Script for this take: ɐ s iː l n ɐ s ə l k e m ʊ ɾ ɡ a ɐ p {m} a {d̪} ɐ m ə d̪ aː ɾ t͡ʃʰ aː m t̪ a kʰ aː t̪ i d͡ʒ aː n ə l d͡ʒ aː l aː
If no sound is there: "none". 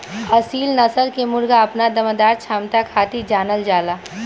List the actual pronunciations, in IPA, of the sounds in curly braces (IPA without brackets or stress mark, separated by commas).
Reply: n, d̪